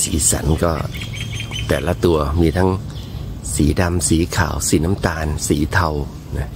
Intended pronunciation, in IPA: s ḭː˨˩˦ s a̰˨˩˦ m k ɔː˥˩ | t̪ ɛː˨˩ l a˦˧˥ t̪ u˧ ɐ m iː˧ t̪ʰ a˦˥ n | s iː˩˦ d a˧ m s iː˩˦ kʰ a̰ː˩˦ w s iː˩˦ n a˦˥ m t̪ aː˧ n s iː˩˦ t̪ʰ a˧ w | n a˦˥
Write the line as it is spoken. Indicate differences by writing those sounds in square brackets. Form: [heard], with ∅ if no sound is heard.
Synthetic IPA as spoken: s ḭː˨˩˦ s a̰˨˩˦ [n] k ɔː˥˩ | t̪ ɛː˨˩ l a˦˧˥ t̪ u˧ ɐ m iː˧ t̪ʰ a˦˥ [ŋ] | s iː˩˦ d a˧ m s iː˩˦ kʰ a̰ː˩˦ w s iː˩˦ n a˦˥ m t̪ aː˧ n s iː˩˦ t̪ʰ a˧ w | n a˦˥